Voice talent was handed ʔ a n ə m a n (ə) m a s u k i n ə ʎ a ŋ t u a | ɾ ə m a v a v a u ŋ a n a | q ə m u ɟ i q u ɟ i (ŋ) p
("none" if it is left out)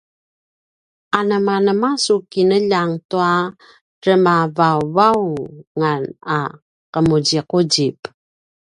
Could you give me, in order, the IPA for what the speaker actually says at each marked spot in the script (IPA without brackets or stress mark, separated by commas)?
ə, none